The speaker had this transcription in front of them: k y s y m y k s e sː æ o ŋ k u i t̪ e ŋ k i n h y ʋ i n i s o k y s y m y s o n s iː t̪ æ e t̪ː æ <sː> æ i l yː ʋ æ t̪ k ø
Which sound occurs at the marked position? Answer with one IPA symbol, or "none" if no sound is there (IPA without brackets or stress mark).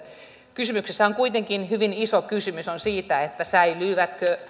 s